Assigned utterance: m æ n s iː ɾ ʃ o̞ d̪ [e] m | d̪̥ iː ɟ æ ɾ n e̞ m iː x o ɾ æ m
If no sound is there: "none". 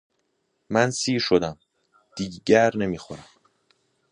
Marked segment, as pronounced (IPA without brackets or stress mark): æ